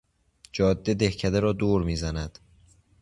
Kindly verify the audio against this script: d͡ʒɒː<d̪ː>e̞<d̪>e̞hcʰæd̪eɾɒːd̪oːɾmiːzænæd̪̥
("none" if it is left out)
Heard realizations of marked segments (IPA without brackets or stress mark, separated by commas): d̪ː, d̪